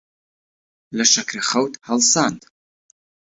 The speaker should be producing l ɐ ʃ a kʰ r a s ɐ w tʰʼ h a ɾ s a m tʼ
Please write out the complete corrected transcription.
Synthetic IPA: l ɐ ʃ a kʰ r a χ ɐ w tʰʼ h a l s a n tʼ